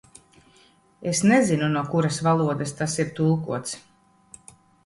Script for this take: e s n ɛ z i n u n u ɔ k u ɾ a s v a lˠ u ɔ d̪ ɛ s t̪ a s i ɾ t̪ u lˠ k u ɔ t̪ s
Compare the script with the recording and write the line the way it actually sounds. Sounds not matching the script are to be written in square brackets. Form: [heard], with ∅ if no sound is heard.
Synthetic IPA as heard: e s n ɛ z i n u n u ɔ k u ɾ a s v a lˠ u ɔ d̪ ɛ s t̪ a s i ɾ t̪ u lˠ k u ɔ t̪ s